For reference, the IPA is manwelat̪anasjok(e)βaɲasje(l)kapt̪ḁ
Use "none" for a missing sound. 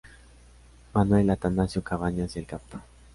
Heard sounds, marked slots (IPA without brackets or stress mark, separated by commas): a, l